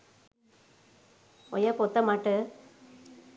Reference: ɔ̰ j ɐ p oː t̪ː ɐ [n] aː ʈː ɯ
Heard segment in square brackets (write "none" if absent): m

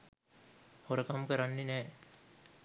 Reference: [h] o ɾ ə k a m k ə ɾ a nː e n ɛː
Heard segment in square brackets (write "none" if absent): h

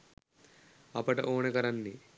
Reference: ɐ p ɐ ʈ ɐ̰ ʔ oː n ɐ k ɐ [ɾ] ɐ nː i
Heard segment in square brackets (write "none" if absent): ɾ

